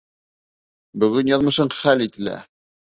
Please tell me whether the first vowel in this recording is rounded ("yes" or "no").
yes